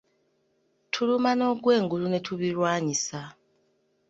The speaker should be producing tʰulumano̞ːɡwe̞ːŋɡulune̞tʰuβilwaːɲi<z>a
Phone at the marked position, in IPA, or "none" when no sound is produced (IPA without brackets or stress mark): s